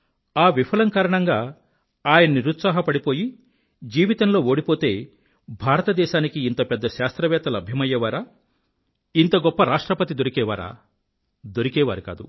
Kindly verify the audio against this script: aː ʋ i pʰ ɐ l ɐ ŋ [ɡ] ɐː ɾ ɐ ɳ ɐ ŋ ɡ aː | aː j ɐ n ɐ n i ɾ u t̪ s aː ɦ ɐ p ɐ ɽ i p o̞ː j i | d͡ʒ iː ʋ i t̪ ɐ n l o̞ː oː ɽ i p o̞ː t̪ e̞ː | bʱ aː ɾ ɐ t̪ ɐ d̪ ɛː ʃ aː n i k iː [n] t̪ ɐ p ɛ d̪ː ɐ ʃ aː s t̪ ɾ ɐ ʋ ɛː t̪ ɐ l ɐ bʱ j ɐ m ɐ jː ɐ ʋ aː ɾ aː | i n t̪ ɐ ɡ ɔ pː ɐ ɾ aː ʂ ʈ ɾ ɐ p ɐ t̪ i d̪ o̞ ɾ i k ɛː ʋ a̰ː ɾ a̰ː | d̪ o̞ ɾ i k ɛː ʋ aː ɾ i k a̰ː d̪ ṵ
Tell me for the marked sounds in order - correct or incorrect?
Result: incorrect: k, correct

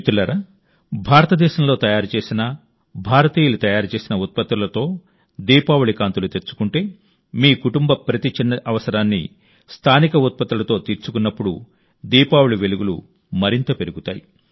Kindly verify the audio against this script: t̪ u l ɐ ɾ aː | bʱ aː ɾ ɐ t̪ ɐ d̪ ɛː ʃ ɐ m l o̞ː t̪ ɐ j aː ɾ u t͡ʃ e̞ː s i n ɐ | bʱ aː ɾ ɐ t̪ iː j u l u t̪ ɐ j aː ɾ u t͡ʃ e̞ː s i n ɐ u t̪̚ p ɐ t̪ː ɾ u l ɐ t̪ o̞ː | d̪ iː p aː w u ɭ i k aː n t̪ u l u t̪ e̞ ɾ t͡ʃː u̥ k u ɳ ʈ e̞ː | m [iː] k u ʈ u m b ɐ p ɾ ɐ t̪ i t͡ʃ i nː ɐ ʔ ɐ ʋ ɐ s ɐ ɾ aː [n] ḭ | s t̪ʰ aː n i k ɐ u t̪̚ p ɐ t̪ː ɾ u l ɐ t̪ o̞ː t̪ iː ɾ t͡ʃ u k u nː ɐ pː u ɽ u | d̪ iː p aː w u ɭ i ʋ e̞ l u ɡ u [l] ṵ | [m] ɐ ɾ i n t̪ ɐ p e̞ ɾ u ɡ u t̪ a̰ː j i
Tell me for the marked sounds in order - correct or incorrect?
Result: correct, incorrect: nː, correct, correct

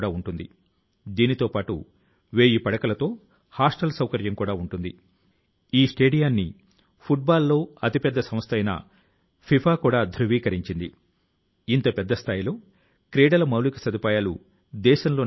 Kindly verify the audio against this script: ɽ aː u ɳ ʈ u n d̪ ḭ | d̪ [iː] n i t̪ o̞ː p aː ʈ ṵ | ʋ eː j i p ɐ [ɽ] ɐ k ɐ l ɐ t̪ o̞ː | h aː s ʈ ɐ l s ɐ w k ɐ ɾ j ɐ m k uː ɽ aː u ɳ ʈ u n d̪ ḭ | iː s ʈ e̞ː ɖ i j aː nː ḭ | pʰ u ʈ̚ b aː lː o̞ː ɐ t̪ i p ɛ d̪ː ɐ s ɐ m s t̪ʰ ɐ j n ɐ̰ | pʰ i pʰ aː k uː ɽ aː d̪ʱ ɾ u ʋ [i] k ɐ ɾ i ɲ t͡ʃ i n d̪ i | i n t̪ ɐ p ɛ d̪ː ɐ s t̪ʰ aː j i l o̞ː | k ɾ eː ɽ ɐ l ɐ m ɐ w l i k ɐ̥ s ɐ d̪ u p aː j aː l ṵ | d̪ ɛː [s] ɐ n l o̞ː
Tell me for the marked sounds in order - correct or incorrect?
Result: correct, correct, incorrect: iː, incorrect: ʃ

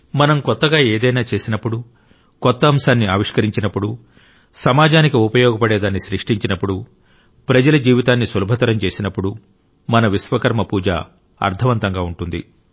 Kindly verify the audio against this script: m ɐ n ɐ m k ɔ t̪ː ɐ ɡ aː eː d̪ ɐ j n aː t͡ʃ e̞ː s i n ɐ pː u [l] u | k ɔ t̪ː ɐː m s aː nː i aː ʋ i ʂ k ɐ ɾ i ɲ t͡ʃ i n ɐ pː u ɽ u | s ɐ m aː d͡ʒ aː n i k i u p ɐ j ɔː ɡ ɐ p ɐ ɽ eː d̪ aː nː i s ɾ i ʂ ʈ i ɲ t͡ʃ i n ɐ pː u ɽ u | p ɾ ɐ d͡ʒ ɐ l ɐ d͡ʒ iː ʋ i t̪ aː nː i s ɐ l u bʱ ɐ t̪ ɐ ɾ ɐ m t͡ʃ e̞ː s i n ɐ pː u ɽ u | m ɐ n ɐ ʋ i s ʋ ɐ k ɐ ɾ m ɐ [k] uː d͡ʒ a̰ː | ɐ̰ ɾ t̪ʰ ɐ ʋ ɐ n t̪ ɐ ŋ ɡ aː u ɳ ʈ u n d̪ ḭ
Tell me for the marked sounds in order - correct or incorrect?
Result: incorrect: ɽ, incorrect: p

